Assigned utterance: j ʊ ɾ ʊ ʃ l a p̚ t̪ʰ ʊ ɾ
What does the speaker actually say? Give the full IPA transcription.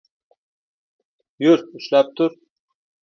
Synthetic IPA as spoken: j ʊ ɾ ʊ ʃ l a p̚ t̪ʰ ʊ ɾ